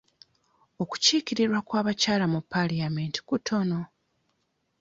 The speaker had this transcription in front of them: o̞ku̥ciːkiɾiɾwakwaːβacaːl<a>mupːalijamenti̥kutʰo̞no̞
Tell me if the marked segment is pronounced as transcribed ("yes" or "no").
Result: yes